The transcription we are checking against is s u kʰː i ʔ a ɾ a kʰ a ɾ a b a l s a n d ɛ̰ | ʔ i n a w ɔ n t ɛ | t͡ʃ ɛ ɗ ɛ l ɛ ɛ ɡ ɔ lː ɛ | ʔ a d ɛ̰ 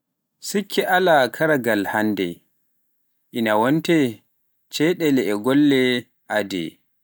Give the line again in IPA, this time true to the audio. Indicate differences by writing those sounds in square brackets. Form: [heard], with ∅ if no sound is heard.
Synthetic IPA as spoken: s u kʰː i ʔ a [l] a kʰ a ɾ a [ɡ] a l [h] a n d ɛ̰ | ʔ i n a w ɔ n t ɛ | t͡ʃ ɛ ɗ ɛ l ɛ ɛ ɡ ɔ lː ɛ | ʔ a d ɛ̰